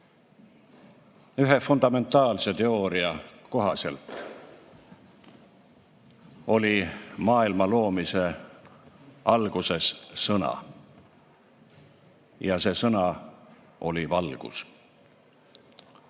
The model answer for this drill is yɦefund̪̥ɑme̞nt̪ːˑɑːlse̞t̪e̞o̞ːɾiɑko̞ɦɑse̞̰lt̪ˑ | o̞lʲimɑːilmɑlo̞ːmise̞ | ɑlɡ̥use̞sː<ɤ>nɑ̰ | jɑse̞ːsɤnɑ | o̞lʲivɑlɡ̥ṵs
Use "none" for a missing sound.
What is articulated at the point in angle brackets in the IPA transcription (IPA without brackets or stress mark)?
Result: ɤ